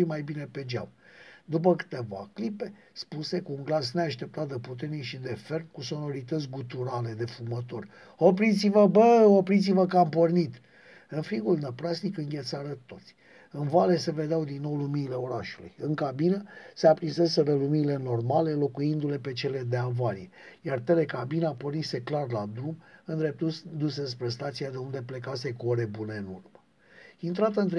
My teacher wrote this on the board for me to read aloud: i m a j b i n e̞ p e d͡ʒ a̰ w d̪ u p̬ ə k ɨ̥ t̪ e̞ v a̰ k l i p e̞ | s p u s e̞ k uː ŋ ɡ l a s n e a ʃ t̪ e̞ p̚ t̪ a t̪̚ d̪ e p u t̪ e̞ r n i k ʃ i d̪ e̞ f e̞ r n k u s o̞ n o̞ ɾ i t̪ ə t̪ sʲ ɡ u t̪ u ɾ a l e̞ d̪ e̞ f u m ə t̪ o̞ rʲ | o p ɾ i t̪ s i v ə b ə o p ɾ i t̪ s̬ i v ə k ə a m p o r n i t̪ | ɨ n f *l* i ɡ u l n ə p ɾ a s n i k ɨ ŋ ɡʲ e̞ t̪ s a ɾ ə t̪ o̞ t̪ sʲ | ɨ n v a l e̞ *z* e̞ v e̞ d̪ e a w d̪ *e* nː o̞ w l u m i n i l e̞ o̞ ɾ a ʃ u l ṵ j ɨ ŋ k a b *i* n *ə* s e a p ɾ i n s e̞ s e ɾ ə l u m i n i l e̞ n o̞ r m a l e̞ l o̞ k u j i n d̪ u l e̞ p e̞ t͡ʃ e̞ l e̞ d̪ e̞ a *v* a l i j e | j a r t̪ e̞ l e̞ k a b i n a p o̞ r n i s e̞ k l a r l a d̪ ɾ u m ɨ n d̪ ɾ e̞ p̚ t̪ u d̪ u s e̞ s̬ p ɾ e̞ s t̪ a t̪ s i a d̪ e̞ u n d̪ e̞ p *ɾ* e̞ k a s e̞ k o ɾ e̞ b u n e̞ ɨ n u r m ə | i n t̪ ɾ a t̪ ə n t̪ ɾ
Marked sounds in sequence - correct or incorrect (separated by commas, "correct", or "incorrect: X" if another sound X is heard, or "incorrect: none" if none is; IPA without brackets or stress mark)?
incorrect: ɾ, incorrect: s, incorrect: i, correct, correct, correct, incorrect: l